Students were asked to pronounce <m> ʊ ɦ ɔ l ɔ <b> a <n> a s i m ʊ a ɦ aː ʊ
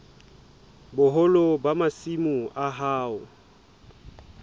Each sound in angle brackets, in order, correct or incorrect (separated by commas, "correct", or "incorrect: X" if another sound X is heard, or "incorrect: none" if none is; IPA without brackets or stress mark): incorrect: b, correct, incorrect: m